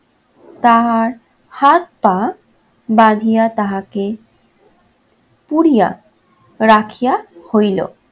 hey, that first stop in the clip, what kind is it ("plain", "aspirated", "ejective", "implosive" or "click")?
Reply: plain